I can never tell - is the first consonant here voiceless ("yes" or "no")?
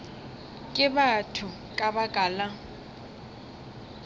yes